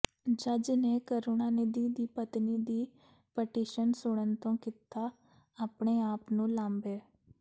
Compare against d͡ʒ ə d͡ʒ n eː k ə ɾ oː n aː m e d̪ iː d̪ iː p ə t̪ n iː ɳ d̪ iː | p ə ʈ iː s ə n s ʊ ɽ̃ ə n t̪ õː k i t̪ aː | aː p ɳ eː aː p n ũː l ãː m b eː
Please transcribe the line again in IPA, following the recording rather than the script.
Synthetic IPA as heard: d͡ʒ ə d͡ʒ n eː k ə ɾ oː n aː n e d̪ iː d̪ iː p ə t̪ n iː d̪ iː | p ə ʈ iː ʃ ə n s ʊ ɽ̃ ə n t̪ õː k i t̪ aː | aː p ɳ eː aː p n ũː l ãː m b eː